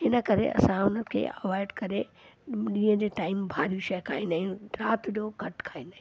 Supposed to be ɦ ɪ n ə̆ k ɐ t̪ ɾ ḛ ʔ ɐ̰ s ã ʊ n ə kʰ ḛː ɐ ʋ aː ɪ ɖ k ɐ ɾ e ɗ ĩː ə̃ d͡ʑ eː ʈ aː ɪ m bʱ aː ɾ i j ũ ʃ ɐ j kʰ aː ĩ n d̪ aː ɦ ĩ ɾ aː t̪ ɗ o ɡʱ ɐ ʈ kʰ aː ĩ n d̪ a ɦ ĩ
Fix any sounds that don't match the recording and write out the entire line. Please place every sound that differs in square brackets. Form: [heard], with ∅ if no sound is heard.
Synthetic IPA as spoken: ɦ ɪ n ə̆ k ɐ [∅] ɾ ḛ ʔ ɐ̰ s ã ʊ n ə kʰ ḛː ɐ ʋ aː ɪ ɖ k ɐ ɾ e ɗ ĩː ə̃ d͡ʑ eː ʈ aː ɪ m bʱ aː ɾ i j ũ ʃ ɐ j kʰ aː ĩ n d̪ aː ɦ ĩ ɾ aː t̪ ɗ o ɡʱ ɐ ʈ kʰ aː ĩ n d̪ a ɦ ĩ